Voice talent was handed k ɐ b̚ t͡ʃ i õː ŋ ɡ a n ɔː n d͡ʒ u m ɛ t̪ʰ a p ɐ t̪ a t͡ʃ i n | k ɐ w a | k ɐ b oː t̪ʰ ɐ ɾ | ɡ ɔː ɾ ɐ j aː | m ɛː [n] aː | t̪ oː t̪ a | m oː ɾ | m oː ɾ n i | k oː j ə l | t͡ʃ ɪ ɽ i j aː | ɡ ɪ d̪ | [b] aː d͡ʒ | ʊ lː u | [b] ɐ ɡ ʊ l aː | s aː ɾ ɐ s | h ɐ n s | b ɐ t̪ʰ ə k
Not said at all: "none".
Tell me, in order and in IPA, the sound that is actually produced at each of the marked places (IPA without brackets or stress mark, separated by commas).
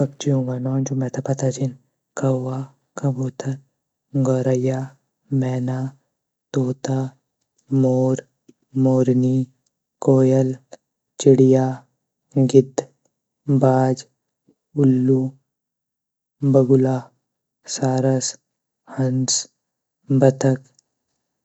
n, b, b